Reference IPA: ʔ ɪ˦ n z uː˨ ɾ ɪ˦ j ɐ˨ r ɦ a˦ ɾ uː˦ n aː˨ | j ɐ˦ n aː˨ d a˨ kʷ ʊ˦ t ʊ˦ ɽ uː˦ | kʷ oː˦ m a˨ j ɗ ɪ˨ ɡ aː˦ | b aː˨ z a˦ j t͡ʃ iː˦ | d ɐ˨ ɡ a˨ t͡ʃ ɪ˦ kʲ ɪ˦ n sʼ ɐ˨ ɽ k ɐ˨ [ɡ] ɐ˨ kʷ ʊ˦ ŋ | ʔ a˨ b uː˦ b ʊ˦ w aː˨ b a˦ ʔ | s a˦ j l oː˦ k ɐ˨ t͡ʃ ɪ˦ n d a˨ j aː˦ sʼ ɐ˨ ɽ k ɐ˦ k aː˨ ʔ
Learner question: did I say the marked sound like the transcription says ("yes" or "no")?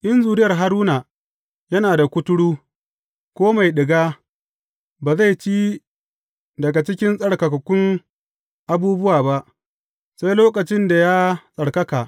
no